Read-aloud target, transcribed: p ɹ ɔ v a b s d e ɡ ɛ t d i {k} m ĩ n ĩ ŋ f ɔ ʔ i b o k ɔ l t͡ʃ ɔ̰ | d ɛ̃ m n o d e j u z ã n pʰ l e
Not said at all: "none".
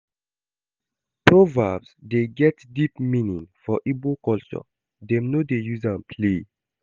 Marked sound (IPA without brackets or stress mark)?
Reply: p